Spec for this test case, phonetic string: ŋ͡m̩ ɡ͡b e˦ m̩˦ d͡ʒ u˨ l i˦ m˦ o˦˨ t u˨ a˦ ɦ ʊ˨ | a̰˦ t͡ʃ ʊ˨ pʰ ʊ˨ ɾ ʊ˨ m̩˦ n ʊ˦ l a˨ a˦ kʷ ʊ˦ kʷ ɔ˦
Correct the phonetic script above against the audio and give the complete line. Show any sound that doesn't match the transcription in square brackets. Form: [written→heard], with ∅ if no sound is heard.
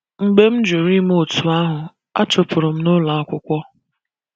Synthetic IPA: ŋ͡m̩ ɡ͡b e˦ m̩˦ d͡ʒ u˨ [l→ɾ] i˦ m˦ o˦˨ t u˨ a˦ ɦ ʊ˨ | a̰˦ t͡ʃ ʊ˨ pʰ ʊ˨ ɾ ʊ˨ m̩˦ n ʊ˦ l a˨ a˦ kʷ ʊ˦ kʷ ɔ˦

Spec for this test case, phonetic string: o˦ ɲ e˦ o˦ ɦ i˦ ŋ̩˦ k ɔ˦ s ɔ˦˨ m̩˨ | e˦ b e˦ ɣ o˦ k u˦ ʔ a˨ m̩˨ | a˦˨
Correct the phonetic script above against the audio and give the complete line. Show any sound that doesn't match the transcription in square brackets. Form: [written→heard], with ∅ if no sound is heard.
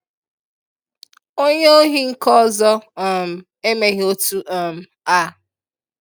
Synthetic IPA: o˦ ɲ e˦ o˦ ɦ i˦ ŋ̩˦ k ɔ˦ [s→z] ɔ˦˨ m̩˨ | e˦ [b→m] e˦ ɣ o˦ [k→t] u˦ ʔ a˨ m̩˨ | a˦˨

